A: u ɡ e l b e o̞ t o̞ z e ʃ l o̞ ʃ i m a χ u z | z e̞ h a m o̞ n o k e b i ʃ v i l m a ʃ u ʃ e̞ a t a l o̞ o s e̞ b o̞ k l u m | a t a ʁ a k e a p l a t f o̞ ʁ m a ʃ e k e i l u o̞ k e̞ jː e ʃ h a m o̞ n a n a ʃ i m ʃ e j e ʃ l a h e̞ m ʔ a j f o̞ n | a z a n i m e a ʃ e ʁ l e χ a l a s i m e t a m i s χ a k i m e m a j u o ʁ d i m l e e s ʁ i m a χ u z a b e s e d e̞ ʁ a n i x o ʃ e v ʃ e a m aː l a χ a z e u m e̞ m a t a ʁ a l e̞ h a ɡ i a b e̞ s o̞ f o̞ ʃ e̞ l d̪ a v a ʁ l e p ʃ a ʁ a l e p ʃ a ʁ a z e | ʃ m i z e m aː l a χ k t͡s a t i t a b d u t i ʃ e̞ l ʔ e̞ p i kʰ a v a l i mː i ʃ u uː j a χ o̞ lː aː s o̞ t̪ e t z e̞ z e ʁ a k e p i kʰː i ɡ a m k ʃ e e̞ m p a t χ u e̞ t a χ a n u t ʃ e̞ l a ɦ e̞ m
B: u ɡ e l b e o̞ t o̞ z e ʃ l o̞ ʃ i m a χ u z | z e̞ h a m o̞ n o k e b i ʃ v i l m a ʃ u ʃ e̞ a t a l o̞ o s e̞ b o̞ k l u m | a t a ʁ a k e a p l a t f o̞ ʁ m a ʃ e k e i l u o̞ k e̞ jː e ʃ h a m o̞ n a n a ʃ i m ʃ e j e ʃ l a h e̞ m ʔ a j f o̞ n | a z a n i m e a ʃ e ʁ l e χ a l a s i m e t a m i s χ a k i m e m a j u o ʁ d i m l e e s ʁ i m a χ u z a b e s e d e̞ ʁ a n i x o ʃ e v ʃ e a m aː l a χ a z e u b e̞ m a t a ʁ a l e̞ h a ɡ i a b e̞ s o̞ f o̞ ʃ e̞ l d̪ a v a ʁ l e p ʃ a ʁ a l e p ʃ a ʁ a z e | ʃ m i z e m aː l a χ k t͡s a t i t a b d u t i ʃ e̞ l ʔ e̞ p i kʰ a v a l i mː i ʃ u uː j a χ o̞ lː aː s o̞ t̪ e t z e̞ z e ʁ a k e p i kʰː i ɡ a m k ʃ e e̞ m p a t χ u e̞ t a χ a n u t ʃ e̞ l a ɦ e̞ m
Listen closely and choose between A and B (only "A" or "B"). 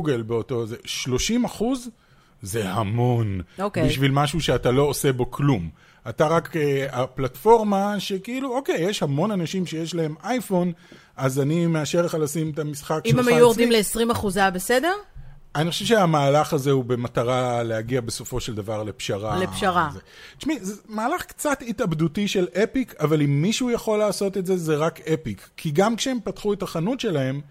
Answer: B